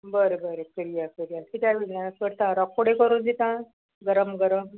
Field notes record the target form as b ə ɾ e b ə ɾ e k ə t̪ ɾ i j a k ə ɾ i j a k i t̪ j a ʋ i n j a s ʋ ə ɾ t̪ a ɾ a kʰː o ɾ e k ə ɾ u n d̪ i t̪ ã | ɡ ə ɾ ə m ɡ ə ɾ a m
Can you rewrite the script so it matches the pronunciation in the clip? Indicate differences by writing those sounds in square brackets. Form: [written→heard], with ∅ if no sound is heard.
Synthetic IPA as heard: b ə ɾ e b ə ɾ e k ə [t̪→∅] ɾ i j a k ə ɾ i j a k i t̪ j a ʋ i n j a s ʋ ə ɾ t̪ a ɾ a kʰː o [ɾ→ɽ] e k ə ɾ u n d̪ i t̪ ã | ɡ ə ɾ ə m ɡ ə ɾ [a→ə] m